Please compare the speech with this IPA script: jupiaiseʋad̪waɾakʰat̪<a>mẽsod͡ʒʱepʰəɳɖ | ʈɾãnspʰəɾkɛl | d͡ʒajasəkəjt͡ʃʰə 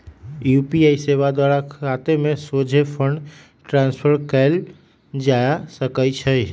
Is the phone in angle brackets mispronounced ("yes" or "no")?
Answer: yes